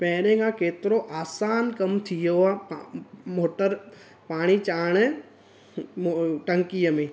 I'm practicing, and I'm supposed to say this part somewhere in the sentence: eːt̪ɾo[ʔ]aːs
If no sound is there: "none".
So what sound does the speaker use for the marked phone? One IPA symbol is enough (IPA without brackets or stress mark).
ʔ